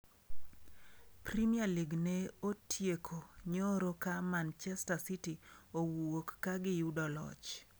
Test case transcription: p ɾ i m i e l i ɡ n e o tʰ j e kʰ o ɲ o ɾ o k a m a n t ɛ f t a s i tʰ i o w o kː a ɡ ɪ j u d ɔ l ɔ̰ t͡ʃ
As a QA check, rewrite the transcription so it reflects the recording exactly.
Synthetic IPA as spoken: p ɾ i m i a l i ɡ n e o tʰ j e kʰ o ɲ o ɾ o k a m a n t͡ʃ ɛ s t a s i t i o w o kː a ɡ ɪ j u d ɔ l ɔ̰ t͡ʃ